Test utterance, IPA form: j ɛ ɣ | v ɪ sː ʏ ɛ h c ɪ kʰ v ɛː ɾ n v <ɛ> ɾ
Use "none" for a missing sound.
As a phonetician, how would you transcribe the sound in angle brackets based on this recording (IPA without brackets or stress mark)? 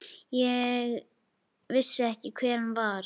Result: a